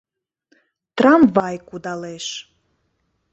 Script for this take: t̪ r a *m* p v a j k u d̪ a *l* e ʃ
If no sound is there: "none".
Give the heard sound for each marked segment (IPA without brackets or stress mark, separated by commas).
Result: m, l